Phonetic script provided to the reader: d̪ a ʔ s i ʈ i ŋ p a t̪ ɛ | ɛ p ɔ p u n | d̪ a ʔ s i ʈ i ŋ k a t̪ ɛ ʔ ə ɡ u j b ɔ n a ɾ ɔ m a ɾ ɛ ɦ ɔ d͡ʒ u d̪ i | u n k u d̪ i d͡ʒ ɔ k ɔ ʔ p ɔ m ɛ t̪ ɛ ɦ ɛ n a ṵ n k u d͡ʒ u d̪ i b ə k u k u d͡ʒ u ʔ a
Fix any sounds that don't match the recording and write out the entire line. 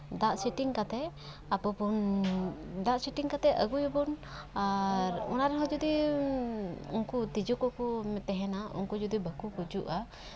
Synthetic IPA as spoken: d̪ a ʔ s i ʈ i ŋ k a t̪ ɛ | a p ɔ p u n | d̪ a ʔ s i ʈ i ŋ k a t̪ ɛ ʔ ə ɡ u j b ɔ n a ɾ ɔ n a ɾ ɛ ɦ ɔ d͡ʒ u d̪ i | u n k u t̪ i d͡ʒ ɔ k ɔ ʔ k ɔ m ɛ t̪ ɛ ɦ ɛ n a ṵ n k u d͡ʒ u d̪ i b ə k u k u d͡ʒ u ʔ a